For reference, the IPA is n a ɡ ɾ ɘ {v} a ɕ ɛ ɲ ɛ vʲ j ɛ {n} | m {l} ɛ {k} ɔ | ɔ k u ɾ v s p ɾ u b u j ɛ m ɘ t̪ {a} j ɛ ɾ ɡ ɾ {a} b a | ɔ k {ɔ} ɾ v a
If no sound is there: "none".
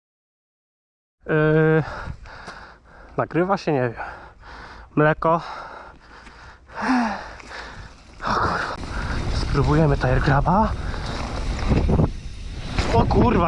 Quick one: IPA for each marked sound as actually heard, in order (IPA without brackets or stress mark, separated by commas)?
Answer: v, m, l, k, a, a, u